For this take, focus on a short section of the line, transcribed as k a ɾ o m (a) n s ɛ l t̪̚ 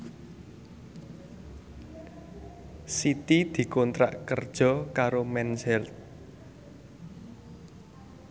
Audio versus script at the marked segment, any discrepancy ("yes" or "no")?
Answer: yes